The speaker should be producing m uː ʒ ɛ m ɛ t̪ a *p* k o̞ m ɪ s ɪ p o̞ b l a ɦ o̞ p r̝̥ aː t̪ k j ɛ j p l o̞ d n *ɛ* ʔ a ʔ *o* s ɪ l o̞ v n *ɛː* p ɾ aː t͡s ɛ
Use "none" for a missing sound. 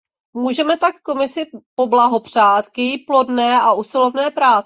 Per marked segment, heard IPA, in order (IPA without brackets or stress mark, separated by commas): k, ɛː, u, ɛː